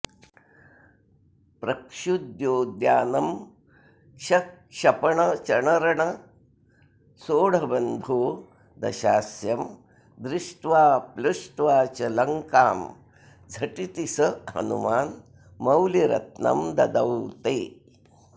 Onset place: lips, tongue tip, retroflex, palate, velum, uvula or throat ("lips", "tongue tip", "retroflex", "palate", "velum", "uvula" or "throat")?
lips